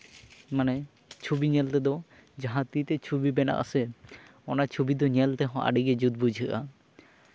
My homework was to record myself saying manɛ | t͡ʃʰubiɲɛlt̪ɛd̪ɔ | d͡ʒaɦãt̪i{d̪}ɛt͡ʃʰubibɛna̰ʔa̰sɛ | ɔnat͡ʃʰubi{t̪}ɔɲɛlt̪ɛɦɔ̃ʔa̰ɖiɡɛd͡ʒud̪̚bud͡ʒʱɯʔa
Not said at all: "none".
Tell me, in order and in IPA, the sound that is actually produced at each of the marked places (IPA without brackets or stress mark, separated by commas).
t̪, d̪